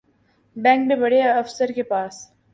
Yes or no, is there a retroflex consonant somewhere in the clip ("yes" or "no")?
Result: yes